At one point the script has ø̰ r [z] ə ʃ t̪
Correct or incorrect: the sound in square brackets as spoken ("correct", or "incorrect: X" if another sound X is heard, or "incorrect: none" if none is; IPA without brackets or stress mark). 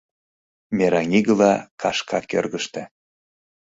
incorrect: ɣ